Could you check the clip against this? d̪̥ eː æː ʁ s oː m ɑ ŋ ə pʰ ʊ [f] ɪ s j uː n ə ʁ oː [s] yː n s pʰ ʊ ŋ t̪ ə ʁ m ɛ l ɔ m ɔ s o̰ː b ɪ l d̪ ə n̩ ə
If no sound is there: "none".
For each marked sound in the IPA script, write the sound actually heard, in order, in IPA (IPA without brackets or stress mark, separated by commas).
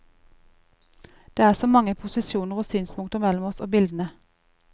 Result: s, s